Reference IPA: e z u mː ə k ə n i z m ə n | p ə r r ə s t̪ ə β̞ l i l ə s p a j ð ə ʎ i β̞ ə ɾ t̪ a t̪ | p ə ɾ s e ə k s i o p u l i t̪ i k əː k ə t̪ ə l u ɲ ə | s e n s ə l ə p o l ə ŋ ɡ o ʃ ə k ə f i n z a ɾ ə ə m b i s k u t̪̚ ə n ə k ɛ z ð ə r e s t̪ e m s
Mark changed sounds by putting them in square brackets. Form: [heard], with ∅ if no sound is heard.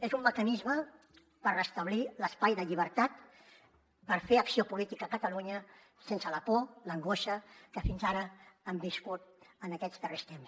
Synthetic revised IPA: e z u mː ə k ə n i z m ə [∅] | p ə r r ə s t̪ ə β̞ l i l ə s p a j ð ə ʎ i β̞ ə ɾ t̪ a t̪ | p ə ɾ [f] e ə k s i o p u l i t̪ i k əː k ə t̪ ə l u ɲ ə | s e n s ə l ə p o l ə ŋ ɡ o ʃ ə k ə f i n z a ɾ ə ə m b i s k u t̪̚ ə n ə k ɛ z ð ə r e s t̪ e m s